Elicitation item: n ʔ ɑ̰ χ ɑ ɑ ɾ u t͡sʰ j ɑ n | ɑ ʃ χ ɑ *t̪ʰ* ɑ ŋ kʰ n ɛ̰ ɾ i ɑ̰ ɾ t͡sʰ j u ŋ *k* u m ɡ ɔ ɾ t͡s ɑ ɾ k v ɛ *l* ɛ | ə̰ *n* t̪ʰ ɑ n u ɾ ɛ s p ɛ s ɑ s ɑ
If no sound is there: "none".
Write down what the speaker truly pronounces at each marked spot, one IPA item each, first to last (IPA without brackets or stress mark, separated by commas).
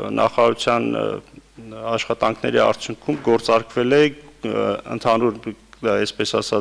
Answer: t̪, kʰ, l, n